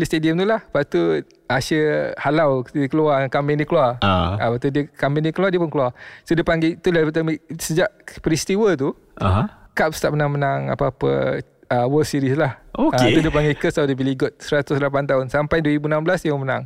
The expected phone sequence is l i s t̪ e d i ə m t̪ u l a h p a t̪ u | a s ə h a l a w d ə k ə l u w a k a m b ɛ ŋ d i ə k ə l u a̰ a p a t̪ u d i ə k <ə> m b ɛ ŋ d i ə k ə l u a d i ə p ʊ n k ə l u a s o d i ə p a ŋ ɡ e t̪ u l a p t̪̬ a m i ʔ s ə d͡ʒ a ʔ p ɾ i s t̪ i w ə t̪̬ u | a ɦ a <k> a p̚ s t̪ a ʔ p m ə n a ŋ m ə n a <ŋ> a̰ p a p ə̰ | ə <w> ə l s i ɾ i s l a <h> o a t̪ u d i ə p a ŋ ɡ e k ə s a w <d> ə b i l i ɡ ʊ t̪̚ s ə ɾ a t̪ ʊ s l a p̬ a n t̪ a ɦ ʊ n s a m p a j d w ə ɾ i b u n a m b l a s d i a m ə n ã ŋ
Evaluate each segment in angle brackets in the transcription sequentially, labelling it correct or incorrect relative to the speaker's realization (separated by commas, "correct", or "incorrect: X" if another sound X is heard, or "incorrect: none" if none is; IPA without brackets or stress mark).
incorrect: a, correct, correct, correct, correct, correct